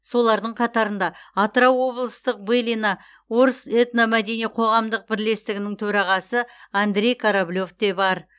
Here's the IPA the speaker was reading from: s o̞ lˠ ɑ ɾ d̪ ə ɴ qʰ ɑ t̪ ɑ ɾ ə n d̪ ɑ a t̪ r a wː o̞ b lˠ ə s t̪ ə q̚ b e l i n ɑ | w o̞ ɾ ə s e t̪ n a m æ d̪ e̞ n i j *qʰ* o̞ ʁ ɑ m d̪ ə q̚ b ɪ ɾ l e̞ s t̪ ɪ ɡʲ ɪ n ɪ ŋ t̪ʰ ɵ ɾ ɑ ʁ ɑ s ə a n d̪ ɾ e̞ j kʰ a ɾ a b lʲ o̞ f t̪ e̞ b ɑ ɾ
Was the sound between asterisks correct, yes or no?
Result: yes